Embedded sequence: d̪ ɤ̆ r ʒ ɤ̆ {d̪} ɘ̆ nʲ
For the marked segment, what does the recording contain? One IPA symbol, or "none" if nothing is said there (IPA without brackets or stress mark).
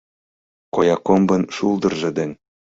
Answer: d̪